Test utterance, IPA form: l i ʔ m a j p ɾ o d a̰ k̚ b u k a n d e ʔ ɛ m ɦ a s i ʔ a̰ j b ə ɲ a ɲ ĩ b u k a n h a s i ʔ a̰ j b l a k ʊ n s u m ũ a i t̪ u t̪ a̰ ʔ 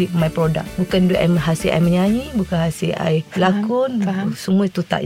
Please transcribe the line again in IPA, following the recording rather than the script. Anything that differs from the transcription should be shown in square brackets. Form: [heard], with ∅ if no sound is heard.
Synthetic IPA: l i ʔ m a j p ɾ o d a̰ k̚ b u k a n d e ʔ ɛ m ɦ a s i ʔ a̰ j [m] ə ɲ a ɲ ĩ b u k a n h a s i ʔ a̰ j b l a k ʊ n s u m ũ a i t̪ u t̪ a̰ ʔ